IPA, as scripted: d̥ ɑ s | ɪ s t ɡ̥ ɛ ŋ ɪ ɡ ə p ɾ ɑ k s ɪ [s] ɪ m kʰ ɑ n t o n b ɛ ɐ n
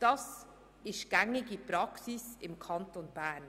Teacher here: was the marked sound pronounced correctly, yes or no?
yes